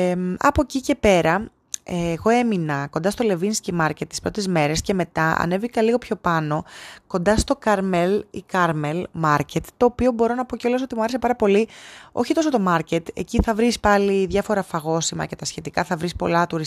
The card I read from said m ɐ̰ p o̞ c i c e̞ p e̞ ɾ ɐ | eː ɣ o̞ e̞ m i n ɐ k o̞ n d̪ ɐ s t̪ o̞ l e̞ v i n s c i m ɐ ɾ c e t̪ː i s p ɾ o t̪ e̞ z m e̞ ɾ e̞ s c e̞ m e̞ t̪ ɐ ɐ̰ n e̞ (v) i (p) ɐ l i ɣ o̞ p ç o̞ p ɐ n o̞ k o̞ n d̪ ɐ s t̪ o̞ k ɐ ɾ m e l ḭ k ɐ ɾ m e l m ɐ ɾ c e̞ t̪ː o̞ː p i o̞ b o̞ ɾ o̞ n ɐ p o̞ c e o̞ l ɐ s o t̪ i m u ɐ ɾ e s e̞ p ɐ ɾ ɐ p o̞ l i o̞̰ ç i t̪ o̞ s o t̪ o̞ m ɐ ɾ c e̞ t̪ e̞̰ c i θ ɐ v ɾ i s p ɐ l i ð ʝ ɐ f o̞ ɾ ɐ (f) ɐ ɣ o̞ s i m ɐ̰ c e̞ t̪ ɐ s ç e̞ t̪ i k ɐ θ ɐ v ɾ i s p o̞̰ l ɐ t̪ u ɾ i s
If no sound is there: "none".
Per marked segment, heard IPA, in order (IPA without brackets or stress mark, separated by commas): v, k, f